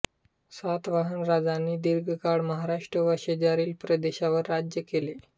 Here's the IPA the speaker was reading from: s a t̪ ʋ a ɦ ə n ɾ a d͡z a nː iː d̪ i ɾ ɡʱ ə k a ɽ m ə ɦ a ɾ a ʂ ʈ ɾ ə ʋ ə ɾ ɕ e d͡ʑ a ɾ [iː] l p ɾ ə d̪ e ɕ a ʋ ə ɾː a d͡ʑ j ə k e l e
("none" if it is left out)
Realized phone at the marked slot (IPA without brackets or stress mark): iː